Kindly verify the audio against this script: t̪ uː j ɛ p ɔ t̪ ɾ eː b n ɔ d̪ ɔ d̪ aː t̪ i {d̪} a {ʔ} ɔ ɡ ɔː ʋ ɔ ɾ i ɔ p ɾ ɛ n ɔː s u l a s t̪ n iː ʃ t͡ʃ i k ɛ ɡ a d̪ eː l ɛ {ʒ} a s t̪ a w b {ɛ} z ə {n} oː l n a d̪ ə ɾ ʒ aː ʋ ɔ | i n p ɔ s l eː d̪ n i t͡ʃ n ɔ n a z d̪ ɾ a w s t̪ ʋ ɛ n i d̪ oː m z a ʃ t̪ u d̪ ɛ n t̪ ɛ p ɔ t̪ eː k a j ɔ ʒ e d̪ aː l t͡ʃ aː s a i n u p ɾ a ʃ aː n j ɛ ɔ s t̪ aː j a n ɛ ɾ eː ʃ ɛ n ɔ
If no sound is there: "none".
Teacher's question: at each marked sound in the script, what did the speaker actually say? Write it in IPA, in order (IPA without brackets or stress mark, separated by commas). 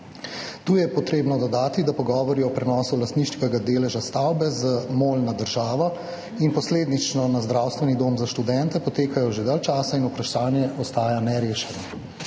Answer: d̪, p, ʒ, ɛ, m